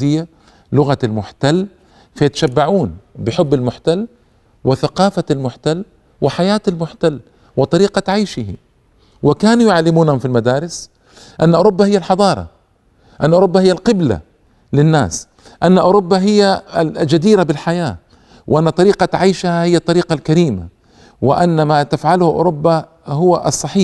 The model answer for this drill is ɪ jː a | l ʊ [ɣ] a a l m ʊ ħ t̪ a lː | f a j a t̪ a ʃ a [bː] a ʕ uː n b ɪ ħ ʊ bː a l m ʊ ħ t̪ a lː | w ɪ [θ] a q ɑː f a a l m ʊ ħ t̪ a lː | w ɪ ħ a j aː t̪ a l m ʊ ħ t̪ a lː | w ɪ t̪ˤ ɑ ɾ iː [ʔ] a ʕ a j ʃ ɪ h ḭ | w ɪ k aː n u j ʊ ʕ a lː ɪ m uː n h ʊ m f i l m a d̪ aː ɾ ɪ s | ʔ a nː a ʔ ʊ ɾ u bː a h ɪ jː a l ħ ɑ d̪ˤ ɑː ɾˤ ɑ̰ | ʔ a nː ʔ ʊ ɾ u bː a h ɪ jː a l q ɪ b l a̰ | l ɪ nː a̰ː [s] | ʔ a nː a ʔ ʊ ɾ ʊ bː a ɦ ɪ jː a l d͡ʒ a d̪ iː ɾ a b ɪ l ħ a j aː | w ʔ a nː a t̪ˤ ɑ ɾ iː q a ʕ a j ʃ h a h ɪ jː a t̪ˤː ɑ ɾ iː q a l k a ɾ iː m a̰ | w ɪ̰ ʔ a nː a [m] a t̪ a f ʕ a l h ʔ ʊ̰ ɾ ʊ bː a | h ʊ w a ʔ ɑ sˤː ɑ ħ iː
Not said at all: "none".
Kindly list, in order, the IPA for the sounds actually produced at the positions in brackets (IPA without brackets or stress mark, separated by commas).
ɣ, bː, θ, q, s, m